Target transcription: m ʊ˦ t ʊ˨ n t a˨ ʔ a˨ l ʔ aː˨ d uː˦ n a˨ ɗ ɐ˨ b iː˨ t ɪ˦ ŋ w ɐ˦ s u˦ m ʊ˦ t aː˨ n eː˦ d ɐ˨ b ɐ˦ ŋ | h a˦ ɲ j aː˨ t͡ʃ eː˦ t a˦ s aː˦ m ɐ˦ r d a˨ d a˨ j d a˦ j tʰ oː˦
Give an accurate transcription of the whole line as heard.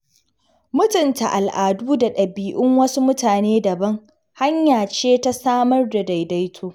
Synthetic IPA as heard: m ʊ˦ t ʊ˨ n t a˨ ʔ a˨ l ʔ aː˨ d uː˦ d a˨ ɗ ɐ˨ b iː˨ ʔ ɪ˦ ŋ w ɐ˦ s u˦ m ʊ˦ t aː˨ n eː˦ d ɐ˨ b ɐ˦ ŋ | h a˦ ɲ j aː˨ t͡ʃ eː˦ t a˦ s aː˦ m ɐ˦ r d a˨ d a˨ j d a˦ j tʰ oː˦